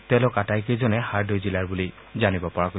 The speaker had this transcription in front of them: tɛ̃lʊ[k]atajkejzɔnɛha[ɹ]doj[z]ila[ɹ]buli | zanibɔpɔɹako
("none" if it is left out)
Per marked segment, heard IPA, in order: k, ɹ, z, ɹ

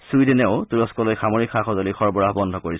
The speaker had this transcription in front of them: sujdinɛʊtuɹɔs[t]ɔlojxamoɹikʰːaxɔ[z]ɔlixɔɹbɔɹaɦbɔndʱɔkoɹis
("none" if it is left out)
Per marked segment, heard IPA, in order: k, z

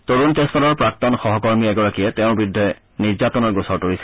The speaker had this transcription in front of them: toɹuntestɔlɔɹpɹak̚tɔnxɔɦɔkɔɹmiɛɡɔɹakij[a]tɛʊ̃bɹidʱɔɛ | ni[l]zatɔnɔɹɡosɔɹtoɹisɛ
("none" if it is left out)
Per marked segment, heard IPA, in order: ɛ, ɹ

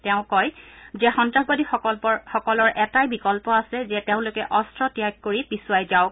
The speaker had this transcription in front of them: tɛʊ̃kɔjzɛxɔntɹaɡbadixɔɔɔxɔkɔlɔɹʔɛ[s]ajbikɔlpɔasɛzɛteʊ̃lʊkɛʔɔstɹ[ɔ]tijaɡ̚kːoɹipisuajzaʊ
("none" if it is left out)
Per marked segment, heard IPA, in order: t, ɔ

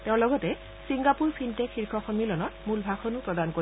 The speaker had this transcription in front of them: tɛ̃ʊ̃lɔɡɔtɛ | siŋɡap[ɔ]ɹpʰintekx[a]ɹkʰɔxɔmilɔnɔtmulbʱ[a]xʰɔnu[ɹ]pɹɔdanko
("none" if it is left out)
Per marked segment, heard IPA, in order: u, i, a, none

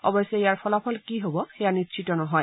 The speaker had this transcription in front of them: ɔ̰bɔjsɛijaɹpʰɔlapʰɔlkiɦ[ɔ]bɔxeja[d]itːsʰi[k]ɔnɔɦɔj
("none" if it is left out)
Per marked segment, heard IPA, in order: o, n, t

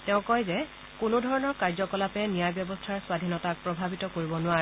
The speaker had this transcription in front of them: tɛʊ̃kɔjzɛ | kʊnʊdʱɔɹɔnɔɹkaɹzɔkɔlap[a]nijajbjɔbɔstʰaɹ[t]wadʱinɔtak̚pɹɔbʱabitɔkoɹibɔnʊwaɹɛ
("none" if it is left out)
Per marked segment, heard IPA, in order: ɛ, s

